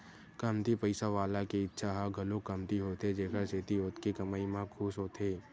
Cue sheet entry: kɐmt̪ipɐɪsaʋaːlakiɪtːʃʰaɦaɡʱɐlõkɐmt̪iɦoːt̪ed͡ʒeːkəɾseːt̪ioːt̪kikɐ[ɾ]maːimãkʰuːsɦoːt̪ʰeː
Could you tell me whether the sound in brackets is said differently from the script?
yes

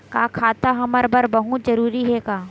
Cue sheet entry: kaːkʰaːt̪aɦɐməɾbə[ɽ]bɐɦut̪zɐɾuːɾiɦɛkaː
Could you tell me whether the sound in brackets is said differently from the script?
yes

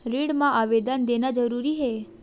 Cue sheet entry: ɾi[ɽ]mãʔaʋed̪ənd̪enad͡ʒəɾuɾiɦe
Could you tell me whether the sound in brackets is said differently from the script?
no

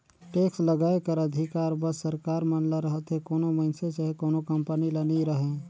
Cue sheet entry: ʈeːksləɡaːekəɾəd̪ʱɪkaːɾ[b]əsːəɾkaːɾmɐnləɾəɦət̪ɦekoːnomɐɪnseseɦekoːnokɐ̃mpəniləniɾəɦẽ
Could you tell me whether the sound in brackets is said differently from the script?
no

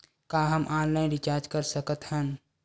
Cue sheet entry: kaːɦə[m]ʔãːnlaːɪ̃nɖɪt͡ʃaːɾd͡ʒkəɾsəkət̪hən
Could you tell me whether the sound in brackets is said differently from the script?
no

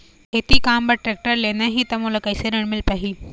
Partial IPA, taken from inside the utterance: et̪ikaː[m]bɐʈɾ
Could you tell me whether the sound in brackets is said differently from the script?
no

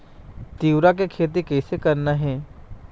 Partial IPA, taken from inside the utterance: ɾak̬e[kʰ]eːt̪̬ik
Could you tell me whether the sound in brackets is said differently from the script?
no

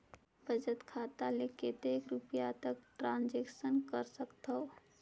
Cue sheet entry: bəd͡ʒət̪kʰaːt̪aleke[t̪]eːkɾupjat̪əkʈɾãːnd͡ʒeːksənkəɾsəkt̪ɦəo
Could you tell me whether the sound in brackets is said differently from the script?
no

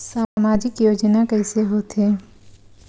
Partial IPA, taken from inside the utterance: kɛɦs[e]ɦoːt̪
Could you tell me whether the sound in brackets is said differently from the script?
no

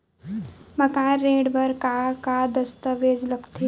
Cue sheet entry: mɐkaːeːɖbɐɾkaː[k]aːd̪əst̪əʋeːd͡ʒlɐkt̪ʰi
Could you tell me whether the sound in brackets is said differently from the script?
no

